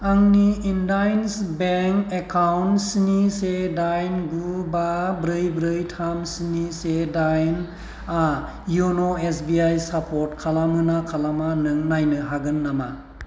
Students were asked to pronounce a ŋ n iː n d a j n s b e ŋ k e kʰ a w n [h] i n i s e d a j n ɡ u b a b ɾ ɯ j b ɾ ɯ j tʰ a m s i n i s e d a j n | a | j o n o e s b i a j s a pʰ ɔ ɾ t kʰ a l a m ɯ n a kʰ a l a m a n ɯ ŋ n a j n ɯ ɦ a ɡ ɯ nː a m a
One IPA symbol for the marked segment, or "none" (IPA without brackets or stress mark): s